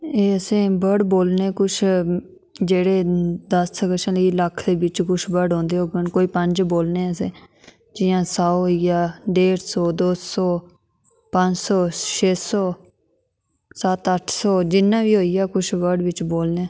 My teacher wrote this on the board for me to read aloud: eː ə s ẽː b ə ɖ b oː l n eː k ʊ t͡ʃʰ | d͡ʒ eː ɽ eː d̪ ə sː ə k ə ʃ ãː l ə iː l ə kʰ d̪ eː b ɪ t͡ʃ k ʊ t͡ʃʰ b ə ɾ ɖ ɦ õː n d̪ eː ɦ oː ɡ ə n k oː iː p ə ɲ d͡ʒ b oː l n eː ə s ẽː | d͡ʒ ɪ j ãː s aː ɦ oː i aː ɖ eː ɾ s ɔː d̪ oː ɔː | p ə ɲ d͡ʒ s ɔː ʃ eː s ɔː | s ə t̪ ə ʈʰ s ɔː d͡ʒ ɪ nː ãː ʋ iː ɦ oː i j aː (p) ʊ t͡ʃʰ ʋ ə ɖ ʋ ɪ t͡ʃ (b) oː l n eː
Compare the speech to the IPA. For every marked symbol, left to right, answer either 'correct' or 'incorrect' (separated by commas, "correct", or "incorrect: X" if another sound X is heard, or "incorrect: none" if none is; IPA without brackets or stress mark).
incorrect: k, correct